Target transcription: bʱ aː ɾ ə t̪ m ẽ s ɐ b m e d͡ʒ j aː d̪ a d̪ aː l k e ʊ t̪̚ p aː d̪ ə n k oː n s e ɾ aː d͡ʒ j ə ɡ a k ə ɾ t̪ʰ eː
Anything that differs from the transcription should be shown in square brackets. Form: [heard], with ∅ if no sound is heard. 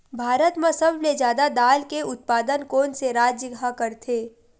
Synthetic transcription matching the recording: bʱ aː ɾ ə t̪ m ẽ s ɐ b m e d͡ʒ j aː d̪ a d̪ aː l k e ʊ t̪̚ p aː d̪ ə n k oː n s e ɾ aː d͡ʒ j ə ɡ a k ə ɾ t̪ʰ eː